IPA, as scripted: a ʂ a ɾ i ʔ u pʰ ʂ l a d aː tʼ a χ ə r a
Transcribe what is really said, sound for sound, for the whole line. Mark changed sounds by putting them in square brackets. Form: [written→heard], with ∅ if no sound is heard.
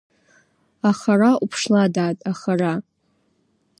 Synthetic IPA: a [ʂ→χ] a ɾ [i→a] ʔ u pʰ ʂ l a d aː tʼ a χ [ə→a] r a